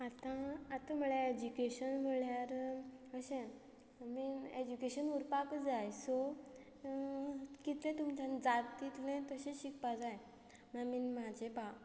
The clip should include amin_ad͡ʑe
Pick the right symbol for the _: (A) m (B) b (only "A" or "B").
A